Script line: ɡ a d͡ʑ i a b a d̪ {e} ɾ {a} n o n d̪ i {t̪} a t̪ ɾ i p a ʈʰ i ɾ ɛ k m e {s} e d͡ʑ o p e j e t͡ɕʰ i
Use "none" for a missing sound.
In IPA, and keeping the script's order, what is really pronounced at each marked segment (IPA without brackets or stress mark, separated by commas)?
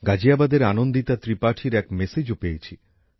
e, a, t̪, s